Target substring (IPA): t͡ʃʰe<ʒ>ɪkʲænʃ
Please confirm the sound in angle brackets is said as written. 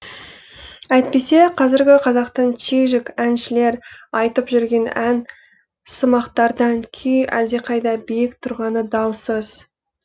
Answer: yes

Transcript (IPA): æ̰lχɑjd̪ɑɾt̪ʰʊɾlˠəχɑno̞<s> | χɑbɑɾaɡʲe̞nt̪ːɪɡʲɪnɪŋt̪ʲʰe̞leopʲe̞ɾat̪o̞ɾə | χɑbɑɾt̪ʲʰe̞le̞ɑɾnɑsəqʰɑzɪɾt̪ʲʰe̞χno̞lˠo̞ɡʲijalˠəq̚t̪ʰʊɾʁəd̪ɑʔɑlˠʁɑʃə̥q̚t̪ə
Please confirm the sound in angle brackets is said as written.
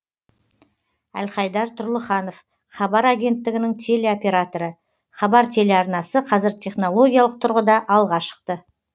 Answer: no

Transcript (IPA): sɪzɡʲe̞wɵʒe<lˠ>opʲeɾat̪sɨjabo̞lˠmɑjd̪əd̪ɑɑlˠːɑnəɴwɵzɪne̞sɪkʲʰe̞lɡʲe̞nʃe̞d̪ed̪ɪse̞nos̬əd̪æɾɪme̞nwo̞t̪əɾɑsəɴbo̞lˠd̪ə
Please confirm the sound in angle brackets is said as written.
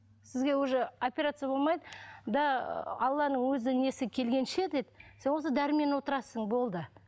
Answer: no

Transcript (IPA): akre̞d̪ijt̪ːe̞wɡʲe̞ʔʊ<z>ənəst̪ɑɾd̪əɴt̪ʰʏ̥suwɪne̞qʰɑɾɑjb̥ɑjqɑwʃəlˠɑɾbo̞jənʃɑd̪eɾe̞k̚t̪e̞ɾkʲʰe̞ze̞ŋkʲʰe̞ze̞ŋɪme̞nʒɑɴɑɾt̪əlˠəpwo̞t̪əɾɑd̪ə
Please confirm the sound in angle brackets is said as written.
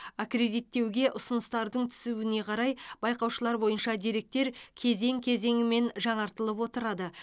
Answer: no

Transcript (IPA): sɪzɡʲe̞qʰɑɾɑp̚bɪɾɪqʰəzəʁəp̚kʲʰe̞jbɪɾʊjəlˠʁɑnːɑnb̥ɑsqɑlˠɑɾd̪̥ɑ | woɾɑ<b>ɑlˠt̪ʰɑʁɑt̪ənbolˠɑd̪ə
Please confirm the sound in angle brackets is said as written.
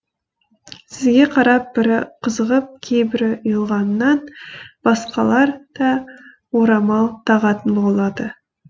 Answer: no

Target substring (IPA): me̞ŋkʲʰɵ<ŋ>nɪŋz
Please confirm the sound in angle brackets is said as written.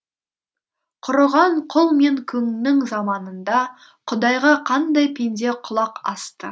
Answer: yes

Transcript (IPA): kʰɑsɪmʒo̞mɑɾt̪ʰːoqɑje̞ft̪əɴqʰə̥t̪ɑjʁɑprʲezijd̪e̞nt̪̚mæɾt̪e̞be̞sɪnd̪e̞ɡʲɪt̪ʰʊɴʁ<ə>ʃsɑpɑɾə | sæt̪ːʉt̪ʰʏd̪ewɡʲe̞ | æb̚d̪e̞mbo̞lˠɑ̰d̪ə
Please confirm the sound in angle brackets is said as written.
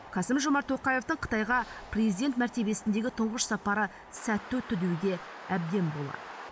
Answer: yes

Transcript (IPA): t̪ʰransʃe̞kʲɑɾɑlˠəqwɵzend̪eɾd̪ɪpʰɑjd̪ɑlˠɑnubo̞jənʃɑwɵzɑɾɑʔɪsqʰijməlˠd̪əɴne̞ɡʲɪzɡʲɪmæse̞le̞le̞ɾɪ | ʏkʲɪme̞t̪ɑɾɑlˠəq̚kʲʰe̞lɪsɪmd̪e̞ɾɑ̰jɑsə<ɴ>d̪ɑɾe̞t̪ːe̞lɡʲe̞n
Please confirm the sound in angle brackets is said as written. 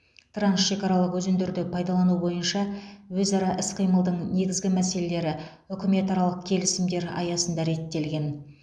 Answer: no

